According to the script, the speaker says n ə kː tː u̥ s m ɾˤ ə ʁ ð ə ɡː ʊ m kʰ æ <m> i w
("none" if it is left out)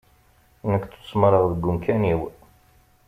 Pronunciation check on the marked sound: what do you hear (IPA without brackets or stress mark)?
n